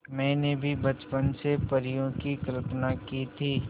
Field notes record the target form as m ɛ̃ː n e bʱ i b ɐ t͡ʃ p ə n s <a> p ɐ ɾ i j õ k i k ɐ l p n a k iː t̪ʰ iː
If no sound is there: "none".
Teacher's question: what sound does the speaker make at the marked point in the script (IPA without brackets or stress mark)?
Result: e